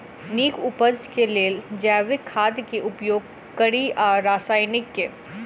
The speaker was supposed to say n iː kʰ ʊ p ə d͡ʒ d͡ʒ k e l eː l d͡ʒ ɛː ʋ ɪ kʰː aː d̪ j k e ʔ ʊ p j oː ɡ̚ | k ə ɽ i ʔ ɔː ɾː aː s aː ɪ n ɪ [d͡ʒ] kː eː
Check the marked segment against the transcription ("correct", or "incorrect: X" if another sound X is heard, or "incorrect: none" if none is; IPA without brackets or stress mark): incorrect: none